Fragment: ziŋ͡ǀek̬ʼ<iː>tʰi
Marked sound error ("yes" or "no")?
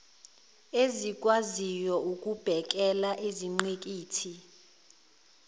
no